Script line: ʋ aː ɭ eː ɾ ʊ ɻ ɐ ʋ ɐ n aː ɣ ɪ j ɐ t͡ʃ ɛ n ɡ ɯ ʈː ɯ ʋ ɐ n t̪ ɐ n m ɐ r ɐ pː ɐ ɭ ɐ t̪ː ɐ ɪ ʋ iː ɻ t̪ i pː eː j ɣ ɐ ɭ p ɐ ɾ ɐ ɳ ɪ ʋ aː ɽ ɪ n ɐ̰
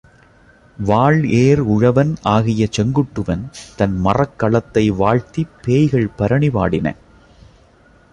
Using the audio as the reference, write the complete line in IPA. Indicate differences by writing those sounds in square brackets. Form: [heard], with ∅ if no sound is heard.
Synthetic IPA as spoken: ʋ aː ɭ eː ɾ ʊ ɻ ɐ ʋ ɐ n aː ɣ ɪ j ɐ t͡ʃ ɛ [ŋ] ɡ ɯ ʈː ɯ ʋ ɐ n t̪ ɐ n m ɐ r ɐ [kː] ɐ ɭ ɐ t̪ː ɐ ɪ ʋ [aː] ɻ t̪ i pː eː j ɣ ɐ ɭ p ɐ ɾ ɐ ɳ ɪ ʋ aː ɽ ɪ n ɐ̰